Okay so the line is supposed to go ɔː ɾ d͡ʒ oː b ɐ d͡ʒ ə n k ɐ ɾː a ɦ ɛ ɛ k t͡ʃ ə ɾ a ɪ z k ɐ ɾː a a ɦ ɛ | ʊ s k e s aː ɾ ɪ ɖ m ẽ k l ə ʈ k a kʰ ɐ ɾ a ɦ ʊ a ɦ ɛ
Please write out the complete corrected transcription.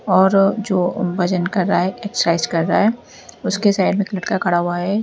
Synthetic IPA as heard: ɔː ɾ d͡ʒ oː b ɐ d͡ʒ ə n k ɐ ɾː a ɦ ɛ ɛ k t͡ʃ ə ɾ a ɪ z k ɐ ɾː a a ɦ ɛ | ʊ s k e s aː ɪ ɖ m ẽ k l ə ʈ k a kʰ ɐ ɽ a ɦ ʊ a ɦ ɛ